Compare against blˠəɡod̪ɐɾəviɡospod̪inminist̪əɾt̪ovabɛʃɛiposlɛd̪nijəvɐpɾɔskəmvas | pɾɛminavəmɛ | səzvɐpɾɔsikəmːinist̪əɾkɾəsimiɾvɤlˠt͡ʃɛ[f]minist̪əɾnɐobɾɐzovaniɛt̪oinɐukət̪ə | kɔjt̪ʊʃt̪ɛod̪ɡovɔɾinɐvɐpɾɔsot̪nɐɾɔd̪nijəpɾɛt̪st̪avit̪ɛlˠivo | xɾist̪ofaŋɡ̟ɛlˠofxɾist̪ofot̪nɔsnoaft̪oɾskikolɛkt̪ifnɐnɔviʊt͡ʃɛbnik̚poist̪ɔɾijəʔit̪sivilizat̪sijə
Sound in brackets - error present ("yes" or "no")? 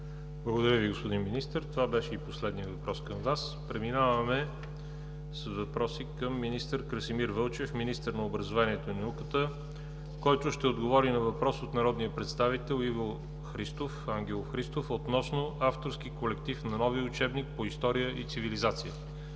no